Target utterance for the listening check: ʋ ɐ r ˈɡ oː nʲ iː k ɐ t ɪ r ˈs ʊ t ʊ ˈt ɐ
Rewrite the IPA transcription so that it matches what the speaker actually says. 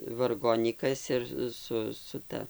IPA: ʋ ɐ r ˈɡ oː nʲ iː k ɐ s ɪ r ˈs ʊ s ʊ ˈt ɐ